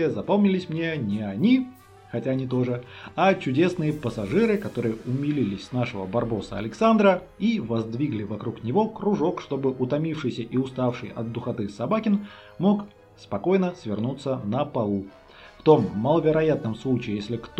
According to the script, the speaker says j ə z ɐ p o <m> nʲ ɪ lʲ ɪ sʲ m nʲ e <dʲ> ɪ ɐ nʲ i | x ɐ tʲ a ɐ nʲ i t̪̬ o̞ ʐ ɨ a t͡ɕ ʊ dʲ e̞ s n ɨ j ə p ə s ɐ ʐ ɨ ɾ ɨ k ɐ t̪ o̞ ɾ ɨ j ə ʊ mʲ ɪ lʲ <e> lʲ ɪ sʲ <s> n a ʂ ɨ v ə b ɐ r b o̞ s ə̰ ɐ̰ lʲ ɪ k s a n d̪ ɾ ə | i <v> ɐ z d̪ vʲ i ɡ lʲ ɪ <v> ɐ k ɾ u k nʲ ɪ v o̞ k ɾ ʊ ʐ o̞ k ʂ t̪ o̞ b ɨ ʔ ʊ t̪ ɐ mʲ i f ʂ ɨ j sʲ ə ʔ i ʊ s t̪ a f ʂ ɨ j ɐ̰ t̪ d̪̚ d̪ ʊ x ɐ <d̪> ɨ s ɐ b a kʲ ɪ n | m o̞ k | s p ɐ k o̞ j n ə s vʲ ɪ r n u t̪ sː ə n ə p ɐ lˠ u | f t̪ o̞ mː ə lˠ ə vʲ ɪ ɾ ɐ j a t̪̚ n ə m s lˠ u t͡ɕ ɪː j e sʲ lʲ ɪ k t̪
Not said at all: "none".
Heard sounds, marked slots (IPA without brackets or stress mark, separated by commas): m, nʲ, i, s, v, v, t̪